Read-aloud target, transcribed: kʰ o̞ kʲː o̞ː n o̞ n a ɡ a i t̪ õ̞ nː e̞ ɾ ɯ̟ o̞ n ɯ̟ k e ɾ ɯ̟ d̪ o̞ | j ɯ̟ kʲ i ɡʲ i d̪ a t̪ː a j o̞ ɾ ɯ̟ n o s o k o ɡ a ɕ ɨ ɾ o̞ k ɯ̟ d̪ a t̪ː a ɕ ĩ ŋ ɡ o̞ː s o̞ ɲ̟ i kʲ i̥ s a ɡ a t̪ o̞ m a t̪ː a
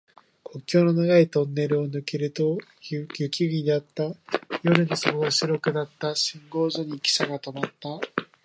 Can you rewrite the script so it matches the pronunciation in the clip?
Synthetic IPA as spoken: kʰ o̞ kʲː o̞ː n o̞ n a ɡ a i t̪ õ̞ nː e̞ ɾ ɯ̟ o̞ n ɯ̟ k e ɾ ɯ̟ t̪ o̞ | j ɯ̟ kʲ i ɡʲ i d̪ a t̪ː a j o̞ ɾ ɯ̟ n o s o k o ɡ a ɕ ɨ ɾ o̞ k ɯ̟ d̪ a t̪ː a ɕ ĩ ŋ ɡ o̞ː z o̞ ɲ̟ i kʲ i̥ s a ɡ a t̪ o̞ m a t̪ː a